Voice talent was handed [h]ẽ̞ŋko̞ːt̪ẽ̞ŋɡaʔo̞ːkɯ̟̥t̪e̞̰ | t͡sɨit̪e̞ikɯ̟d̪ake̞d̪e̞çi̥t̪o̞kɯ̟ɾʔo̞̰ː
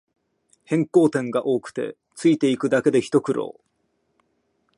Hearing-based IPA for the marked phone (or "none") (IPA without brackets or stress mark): h